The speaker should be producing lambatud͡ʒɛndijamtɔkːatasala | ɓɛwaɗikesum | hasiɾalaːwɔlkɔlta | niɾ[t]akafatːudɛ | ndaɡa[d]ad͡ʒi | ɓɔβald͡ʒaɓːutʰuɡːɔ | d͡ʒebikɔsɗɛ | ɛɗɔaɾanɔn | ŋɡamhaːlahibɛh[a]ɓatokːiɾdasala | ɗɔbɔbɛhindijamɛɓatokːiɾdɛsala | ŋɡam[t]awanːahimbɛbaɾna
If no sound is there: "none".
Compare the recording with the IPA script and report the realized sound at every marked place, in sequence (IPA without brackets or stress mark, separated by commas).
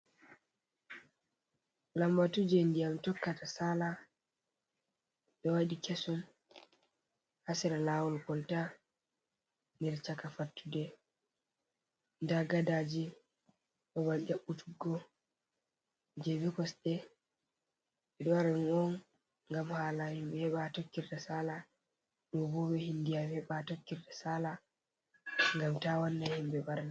t͡ʃ, d, ɛ, t